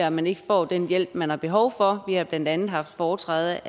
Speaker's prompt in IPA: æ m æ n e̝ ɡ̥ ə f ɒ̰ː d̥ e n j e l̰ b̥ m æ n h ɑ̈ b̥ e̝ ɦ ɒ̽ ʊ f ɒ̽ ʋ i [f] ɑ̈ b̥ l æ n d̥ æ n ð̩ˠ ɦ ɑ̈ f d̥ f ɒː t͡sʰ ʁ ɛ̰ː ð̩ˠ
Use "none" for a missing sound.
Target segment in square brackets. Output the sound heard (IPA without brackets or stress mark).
h